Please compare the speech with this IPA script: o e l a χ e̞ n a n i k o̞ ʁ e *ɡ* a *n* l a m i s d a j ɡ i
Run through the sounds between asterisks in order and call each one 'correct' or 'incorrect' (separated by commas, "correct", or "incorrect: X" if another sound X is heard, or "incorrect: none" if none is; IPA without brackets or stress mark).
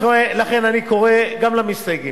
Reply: correct, incorrect: m